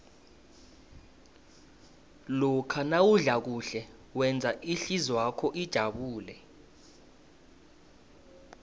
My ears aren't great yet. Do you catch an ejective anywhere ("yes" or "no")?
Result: no